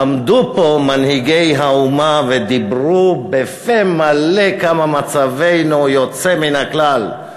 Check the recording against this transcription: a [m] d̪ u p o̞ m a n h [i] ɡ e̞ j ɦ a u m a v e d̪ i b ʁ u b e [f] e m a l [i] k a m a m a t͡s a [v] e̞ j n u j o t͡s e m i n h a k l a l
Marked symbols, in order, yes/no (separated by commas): yes, yes, yes, no, yes